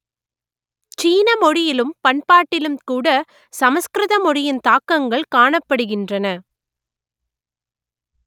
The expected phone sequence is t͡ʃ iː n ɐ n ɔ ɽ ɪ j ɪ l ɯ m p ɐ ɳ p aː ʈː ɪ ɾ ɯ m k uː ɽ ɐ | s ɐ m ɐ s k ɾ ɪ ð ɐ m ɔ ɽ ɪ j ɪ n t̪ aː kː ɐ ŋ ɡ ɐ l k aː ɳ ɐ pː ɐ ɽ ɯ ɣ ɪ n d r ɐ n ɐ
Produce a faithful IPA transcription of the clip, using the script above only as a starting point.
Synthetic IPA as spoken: t͡ʃ iː n ɐ m ɔ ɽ ɪ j ɪ l ɯ m p ɐ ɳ p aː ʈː ɪ l ɯ m k uː ɽ ɐ | s ɐ m ɐ s k ɾ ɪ ð ɐ m ɔ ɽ ɪ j ɪ n t̪ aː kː ɐ ŋ ɡ ɐ ɭ k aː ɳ ɐ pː ɐ ɽ ɯ ɣ ɪ n d r ɐ n ɐ